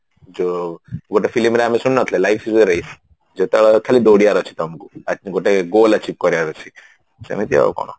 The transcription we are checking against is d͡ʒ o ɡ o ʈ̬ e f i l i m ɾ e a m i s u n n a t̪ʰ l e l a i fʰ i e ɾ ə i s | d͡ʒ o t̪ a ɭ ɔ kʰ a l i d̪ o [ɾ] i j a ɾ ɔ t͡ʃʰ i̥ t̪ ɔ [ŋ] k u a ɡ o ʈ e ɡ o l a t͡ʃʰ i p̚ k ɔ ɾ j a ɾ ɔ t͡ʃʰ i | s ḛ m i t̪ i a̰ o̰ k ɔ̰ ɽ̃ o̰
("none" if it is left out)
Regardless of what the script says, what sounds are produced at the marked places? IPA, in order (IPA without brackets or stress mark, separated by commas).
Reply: ɽ, m